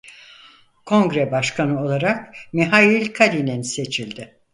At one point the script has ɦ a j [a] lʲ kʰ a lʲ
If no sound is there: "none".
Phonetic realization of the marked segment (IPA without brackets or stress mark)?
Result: i